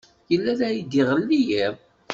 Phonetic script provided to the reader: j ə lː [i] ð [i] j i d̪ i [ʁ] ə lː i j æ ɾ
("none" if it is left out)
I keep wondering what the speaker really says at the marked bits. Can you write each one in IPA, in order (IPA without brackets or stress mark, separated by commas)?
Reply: æ, æ, ʁ